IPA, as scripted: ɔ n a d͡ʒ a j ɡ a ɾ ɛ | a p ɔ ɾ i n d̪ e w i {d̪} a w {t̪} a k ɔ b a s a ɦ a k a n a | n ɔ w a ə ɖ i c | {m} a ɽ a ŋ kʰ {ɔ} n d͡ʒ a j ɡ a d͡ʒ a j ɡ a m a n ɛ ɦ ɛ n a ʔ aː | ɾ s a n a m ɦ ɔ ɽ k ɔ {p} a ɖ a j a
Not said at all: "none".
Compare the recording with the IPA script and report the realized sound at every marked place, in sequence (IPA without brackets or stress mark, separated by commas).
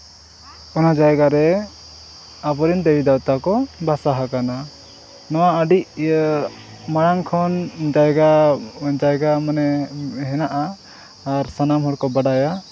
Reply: d̪, t̪, m, ɔ, b